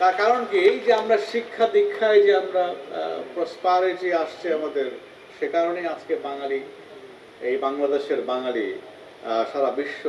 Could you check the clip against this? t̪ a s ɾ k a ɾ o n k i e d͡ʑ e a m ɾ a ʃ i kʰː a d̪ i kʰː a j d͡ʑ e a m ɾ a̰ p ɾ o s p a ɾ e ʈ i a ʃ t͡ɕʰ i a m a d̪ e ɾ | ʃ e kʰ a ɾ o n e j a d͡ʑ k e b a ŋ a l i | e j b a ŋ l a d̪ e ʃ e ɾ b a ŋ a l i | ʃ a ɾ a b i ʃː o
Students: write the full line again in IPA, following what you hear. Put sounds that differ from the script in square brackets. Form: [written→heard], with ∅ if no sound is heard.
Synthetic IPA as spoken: t̪ a [s→∅] ɾ k a ɾ o n k i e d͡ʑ e a m ɾ a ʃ i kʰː a d̪ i kʰː a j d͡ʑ e a m ɾ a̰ p ɾ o s p a ɾ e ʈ i a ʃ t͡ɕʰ i a m a d̪ e ɾ | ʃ e [kʰ→k] a ɾ o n e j a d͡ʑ k e b a ŋ a l i | e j b a ŋ l a d̪ e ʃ e ɾ b a ŋ a l i | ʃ a ɾ a b i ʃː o